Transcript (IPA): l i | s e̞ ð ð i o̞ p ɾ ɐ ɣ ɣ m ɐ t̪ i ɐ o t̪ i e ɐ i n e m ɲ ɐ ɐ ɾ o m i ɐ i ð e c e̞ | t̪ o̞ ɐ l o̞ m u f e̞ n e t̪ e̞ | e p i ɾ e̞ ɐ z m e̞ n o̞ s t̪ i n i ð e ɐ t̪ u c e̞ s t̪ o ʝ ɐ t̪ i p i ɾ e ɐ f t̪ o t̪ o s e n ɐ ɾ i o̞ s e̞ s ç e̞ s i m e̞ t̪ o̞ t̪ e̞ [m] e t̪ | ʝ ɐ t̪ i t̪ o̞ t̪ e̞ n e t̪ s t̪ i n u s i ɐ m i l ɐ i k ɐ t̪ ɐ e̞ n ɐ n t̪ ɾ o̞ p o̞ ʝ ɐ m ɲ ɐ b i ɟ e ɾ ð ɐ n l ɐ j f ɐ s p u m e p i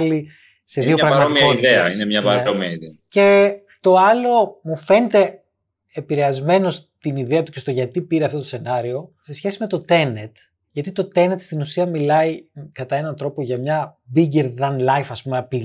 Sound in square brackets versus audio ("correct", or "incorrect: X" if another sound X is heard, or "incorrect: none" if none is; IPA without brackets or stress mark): incorrect: n